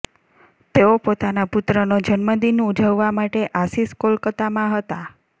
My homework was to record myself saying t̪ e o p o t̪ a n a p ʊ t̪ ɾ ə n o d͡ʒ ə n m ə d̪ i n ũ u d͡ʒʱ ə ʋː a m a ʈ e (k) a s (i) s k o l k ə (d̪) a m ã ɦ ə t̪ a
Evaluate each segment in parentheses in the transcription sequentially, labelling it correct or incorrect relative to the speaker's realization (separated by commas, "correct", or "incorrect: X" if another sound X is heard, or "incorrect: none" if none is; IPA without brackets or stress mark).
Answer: incorrect: ʔ, correct, incorrect: t̪